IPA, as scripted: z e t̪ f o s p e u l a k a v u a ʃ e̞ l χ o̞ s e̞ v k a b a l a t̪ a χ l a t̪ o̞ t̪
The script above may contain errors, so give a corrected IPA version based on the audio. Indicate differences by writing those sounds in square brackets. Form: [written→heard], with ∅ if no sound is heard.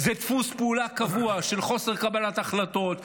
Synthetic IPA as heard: z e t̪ f [o→u] s p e u l a k a v u a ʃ e̞ l χ o̞ s e̞ [v→ʁ] k a b a l a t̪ a χ l a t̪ o̞ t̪